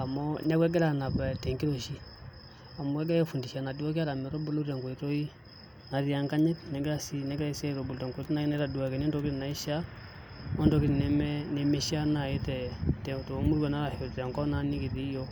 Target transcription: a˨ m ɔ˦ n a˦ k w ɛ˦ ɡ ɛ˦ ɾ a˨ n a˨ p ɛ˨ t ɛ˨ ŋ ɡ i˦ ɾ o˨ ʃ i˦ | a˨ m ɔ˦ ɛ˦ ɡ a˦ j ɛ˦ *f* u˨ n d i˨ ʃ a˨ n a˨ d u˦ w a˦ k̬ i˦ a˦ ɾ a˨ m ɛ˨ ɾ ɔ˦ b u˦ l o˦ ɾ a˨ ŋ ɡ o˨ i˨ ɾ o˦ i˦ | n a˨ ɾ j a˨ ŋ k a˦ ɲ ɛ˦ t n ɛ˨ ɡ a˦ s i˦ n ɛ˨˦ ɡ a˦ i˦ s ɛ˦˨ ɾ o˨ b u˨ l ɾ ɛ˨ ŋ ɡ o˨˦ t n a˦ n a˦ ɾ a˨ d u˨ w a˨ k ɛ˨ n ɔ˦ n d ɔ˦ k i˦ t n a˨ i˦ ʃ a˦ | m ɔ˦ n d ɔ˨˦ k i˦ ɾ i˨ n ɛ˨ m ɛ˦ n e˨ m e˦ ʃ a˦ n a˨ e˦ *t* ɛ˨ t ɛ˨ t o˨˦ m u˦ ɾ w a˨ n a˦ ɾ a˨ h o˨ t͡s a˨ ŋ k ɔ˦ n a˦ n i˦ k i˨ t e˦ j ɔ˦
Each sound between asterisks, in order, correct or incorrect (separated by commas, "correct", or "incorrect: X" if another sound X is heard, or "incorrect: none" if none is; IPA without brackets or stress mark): correct, correct